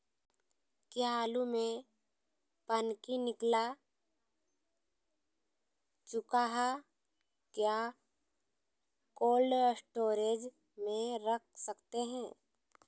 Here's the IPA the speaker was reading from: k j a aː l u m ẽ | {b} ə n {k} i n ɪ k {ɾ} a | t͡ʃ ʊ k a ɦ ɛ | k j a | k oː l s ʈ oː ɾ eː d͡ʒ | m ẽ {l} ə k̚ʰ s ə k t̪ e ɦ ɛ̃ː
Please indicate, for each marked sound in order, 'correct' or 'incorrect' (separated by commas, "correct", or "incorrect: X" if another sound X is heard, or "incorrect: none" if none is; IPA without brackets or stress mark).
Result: incorrect: p, correct, incorrect: l, incorrect: ɾ